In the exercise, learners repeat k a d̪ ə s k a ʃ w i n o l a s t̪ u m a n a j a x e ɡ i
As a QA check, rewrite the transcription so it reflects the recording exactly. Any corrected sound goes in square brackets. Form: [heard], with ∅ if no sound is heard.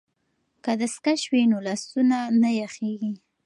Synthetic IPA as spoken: k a d̪ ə s k a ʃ w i n o l a s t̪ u [n] a n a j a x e ɡ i